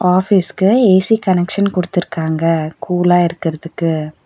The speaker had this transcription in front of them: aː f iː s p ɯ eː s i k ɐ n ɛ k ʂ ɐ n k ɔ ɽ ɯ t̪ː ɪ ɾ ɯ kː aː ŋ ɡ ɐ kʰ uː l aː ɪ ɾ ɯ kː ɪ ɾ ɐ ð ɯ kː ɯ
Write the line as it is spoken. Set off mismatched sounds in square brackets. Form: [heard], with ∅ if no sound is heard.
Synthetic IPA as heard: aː f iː s [k] ɯ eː s i k ɐ n ɛ k ʂ ɐ n k ɔ ɽ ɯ t̪ː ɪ ɾ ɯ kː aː ŋ ɡ ɐ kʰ uː l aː ɪ ɾ ɯ kː ɪ ɾ ɐ ð ɯ kː ɯ

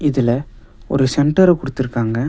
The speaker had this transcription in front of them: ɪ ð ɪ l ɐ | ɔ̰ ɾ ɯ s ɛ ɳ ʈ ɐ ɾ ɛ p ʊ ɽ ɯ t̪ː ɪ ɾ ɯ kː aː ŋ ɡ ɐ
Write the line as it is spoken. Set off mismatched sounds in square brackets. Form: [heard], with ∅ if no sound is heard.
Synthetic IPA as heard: ɪ ð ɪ l ɐ | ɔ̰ ɾ ɯ s ɛ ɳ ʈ ɐ ɾ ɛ [k] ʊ ɽ ɯ t̪ː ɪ ɾ ɯ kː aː ŋ ɡ ɐ

